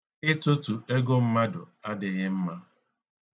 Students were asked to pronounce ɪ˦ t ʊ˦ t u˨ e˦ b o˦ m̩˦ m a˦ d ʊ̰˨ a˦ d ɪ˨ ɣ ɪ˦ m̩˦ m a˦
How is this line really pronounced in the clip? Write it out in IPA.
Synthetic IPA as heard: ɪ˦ t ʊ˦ t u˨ e˦ ɡ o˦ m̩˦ m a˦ d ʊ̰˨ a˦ d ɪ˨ ɣ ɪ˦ m̩˦ m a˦